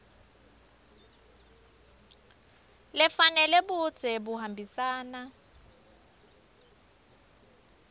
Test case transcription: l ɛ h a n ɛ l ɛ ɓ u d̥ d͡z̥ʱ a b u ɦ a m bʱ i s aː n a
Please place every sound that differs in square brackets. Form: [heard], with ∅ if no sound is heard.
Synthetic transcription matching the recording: l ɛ [f] a n ɛ l ɛ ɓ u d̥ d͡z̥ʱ [ɛ] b u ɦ a m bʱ i s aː n a